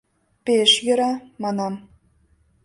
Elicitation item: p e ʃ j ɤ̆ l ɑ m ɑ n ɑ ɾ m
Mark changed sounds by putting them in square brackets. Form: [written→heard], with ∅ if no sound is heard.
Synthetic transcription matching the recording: p e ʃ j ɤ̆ [l→ɾ] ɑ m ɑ n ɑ [ɾ→∅] m